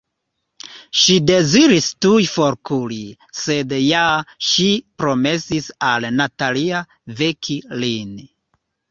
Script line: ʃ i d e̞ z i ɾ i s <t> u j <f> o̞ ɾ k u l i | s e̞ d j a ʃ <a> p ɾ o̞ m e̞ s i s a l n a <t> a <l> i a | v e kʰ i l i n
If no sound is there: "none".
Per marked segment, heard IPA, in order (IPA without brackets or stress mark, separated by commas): t, f, i, t, l